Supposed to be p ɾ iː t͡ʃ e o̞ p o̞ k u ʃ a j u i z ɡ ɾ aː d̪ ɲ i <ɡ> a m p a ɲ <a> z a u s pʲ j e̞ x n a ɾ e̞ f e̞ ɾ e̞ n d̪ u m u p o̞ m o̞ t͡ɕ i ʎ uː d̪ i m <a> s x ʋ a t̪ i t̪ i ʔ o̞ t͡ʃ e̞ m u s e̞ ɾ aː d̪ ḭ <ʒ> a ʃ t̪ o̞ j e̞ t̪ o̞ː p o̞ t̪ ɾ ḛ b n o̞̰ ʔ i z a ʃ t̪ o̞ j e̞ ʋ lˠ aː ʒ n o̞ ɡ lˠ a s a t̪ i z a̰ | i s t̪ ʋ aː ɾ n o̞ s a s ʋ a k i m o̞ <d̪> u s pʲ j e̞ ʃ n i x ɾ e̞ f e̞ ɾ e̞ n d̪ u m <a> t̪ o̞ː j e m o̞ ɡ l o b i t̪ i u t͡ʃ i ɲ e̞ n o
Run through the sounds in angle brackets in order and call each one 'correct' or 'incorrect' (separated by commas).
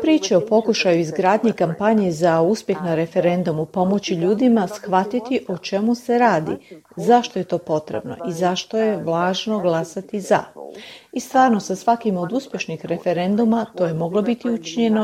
incorrect, incorrect, correct, incorrect, correct, correct